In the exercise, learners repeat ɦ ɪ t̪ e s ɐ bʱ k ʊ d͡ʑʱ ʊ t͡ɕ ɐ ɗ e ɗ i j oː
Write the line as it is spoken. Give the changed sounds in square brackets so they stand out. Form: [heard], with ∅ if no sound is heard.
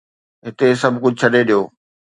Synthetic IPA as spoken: ɦ ɪ t̪ e s ɐ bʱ k ʊ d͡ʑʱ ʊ [t͡ɕʰ] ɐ ɗ e ɗ i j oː